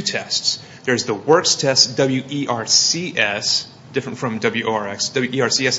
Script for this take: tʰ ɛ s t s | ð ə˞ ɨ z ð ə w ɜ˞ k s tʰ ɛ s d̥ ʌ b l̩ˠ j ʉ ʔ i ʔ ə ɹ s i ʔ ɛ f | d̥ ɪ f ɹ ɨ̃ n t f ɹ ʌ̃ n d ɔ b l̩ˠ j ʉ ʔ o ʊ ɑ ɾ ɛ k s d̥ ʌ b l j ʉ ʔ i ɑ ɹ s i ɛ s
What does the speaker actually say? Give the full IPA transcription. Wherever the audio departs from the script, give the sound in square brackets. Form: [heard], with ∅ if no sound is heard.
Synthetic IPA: tʰ ɛ s t s | ð ə˞ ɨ z ð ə w ɜ˞ k s tʰ ɛ s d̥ ʌ b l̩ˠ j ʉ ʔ i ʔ [ɑ] ɹ s i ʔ ɛ [s] | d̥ ɪ f ɹ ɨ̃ n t f ɹ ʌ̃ [m] d [ʌ] b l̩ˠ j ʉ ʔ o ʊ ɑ [ɹ] ɛ k s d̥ ʌ b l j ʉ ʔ i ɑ ɹ s i ɛ s